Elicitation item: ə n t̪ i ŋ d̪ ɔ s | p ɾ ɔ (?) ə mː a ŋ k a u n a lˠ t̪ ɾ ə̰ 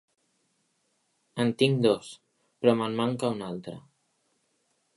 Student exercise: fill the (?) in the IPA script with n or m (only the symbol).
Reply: m